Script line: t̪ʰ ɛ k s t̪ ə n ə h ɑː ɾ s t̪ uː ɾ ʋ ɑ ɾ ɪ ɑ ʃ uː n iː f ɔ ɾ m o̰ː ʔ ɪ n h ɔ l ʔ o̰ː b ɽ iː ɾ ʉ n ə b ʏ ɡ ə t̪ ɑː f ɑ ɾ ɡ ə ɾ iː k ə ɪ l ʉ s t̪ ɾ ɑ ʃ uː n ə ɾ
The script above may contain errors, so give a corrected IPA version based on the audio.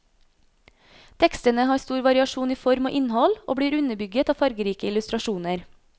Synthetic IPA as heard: t̪ʰ ɛ k s t̪ ə n ə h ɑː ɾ s t̪ uː ɾ ʋ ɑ ɾ ɪ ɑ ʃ uː n iː f ɔ ɾ m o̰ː ʔ ɪ n h ɔ l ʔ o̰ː b ɽ iː ɾ ʉ n ə b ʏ ɡ ə t̪ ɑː f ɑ ɾ ɡ ə ɾ iː k ə ɪ l ʉ s t̪ ɾ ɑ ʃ uː n ə ɾ